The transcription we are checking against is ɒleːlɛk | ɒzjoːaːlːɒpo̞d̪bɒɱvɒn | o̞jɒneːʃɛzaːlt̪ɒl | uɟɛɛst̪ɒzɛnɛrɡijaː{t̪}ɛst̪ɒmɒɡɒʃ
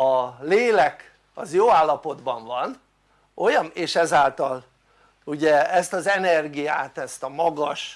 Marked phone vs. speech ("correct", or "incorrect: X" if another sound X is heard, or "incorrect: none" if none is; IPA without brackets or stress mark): correct